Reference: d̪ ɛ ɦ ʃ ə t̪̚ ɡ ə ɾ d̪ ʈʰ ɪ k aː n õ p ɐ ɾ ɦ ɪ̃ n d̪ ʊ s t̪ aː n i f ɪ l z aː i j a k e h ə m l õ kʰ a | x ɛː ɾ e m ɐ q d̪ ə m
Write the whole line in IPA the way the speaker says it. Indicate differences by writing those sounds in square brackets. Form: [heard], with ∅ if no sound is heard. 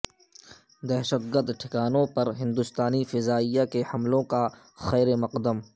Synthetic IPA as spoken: d̪ ɛ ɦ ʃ ə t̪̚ ɡ ə ɾ d̪ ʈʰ ɪ k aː n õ p ɐ ɾ ɦ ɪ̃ n d̪ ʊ s t̪ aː n i f ɪ [∅] z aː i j a k e h [ɐ] m l õ [k] a | x ɛː ɾ e m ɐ q d̪ ə m